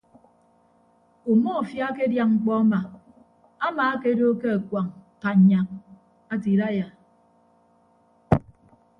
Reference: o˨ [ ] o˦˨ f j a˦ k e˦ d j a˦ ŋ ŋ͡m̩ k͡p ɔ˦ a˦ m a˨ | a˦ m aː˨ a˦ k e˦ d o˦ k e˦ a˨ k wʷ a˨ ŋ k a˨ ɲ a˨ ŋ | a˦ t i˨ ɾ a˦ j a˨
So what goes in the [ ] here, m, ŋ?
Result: m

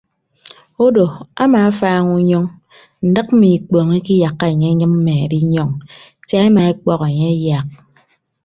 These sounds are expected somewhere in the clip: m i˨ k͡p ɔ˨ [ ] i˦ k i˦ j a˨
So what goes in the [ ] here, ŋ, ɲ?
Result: ŋ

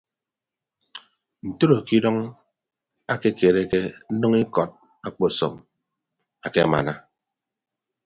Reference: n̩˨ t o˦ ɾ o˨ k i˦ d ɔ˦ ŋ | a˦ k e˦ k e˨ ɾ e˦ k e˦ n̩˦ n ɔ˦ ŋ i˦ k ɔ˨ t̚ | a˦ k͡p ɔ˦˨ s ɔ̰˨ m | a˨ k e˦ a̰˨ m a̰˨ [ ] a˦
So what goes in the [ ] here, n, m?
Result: n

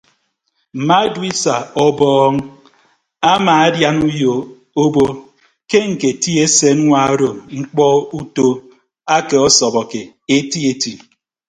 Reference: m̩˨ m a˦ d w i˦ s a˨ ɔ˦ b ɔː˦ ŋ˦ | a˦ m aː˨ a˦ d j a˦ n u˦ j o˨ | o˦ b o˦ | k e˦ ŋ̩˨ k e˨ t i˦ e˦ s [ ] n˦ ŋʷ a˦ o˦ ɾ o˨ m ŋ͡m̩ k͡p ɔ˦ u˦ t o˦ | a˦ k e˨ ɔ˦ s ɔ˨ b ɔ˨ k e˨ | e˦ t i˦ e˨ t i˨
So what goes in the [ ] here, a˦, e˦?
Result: e˦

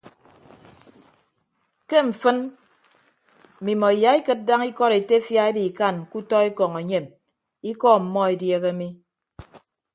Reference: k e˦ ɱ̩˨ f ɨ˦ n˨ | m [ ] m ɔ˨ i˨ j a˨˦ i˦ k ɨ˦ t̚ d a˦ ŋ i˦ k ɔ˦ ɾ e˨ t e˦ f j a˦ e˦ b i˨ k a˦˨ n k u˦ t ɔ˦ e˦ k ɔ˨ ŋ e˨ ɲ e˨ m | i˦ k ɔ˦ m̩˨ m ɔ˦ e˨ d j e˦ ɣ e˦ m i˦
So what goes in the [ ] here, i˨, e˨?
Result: i˨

